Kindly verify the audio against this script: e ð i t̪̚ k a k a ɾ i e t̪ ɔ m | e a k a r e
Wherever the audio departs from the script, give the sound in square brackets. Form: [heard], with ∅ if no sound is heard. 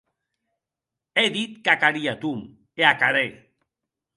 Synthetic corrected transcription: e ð i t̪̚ k a k a ɾ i [a] t̪ [u] m | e a k a [ɾ] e